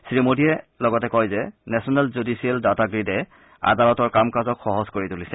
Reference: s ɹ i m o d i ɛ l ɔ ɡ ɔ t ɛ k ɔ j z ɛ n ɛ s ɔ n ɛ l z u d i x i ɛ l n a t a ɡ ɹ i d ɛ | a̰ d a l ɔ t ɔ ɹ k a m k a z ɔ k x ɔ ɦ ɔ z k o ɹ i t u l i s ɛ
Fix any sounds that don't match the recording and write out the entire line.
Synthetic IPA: s ɹ i m o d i ɛ l ɔ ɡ ɔ t ɛ k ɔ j z ɛ n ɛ s ɔ n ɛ l z u d i s i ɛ l d a t a ɡ ɹ i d ɛ | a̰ d a l ɔ t ɔ ɹ k a m k a z ɔ k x ɔ ɦ ɔ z k o ɹ i t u l i s ɛ